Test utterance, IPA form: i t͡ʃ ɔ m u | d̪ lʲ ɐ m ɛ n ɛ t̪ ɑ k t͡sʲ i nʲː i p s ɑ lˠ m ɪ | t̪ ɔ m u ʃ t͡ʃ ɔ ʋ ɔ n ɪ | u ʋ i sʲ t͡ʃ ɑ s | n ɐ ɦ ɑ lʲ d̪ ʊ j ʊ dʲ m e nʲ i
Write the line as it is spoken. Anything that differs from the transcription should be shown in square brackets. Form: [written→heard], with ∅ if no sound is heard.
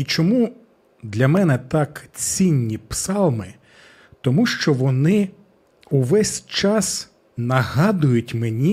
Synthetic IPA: i t͡ʃ ɔ m u | d̪ lʲ ɐ m ɛ n ɛ t̪ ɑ k t͡sʲ i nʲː i p s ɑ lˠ m ɪ | t̪ ɔ m u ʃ t͡ʃ ɔ ʋ ɔ n ɪ | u ʋ [i→ɛ] sʲ t͡ʃ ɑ s | n ɐ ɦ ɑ [lʲ→∅] d̪ ʊ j ʊ [dʲ→tʲ] m e nʲ i